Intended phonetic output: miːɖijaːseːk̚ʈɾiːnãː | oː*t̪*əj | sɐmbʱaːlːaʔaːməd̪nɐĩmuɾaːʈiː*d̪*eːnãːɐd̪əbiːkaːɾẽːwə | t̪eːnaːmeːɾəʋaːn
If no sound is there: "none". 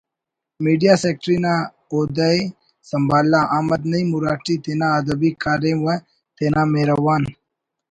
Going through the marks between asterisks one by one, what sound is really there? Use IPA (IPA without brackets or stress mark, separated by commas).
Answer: d̪, t̪